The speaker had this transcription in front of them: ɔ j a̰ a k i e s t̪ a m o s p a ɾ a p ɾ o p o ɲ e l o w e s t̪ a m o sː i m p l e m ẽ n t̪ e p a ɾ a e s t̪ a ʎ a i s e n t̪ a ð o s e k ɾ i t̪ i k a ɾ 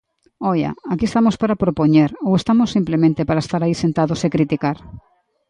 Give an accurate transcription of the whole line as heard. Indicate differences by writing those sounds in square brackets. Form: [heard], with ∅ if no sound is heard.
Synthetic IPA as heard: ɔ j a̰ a k i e s t̪ a m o s p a ɾ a p ɾ o p o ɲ e [ɾ] o w e s t̪ a m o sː i m p l e m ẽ n t̪ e p a ɾ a e s t̪ a [ɾ] a i s e n t̪ a ð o s e k ɾ i t̪ i k a ɾ